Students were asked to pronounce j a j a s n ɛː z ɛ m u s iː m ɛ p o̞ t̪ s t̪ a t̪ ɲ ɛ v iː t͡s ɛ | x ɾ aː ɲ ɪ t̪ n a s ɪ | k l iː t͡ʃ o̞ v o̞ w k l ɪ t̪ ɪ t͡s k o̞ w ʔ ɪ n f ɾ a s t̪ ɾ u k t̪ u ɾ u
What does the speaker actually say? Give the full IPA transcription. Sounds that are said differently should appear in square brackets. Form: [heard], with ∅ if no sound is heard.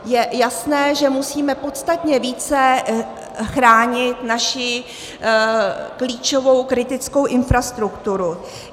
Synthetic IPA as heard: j [ɛ] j a s n ɛː [ʒ] ɛ m u s iː m ɛ p o̞ t̪ s t̪ a t̪ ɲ ɛ v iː t͡s ɛ | x ɾ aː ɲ ɪ t̪ n a [ʃ] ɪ | k l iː t͡ʃ o̞ v o̞ w k [ɾ] ɪ t̪ ɪ t͡s k o̞ w ʔ ɪ n f ɾ a s t̪ ɾ u k t̪ u ɾ u